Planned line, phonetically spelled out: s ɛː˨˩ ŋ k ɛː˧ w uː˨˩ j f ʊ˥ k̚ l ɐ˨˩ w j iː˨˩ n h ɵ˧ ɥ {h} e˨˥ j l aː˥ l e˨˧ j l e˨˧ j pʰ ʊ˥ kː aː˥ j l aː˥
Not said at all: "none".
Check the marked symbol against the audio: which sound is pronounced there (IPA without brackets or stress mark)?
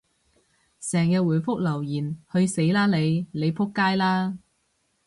s